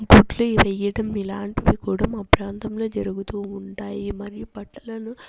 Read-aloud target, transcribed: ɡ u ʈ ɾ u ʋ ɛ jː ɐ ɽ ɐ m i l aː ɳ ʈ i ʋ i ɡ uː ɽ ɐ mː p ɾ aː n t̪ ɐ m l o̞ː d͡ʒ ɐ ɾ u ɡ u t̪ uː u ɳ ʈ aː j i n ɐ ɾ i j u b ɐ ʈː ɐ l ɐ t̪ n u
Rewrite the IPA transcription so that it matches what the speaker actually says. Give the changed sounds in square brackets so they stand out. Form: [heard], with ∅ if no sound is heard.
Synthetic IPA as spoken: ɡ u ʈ [l] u ʋ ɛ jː ɐ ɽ ɐ m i l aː ɳ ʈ i ʋ i [k] uː ɽ ɐ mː p ɾ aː n t̪ ɐ m l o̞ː d͡ʒ ɐ ɾ u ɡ u t̪ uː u ɳ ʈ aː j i [m] ɐ ɾ i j u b ɐ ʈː ɐ l ɐ [∅] n u